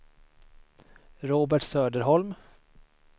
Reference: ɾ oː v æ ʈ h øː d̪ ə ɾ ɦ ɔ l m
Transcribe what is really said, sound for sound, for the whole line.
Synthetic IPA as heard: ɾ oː b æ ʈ s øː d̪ ə ɾ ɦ ɔ l m